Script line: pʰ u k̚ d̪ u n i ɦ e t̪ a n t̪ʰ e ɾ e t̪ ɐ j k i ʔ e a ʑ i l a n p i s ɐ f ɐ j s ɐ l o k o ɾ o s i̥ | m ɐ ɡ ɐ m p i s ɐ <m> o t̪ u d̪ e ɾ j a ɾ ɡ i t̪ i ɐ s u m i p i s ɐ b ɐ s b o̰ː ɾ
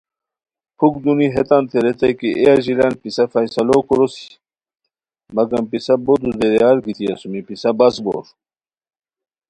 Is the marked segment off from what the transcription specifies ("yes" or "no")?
yes